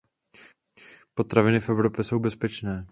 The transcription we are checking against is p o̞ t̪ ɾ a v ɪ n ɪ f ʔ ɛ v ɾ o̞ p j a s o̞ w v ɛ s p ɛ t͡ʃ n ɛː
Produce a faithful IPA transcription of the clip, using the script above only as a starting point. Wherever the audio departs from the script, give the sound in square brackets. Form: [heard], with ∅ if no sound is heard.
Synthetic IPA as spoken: p o̞ t̪ ɾ a v ɪ n ɪ f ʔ ɛ v ɾ o̞ p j [ɛ] s o̞ w [b] ɛ s p ɛ t͡ʃ n ɛː